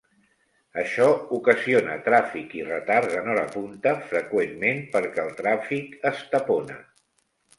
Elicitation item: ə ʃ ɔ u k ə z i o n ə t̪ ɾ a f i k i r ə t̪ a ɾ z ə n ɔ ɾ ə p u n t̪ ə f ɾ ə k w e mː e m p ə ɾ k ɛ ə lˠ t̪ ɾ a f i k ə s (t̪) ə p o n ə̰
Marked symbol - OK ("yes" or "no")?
yes